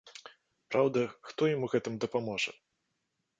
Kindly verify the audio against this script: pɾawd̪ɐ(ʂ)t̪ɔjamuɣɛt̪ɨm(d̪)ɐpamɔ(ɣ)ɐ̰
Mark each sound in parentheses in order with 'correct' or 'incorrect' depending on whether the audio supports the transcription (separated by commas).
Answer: incorrect, correct, incorrect